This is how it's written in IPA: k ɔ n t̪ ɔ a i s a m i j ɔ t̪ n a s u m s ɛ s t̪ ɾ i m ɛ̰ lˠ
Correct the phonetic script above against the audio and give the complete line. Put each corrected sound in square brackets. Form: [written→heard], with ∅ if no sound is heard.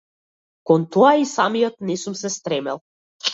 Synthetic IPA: k ɔ n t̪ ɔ a i s a m i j ɔ t̪ n [a→ɛ] s u m s ɛ s t̪ ɾ [i→ɛ] m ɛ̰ lˠ